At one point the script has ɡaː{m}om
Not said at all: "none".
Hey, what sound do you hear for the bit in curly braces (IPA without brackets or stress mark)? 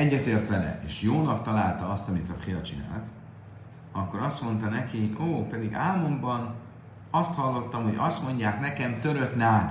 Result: m